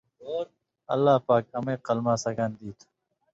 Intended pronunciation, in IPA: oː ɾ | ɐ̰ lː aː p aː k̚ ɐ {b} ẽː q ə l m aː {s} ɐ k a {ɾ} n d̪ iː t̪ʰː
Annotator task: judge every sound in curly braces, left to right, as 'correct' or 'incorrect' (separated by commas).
incorrect, correct, incorrect